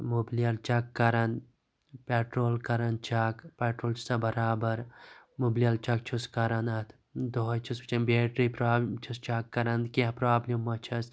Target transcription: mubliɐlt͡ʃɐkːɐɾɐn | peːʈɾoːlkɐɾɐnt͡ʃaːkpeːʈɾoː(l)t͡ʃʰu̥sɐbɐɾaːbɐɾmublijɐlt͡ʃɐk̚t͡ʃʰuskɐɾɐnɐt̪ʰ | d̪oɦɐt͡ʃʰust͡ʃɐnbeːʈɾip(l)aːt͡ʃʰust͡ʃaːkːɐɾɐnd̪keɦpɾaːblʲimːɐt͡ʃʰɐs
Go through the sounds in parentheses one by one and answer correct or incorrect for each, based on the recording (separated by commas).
correct, incorrect